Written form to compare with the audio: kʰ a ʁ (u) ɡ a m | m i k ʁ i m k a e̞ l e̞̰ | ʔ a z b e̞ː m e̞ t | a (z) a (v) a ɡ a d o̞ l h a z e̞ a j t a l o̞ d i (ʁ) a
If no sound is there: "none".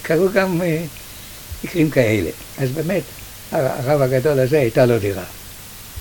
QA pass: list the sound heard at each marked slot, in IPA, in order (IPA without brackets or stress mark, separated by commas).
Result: u, ʁ, v, ʁ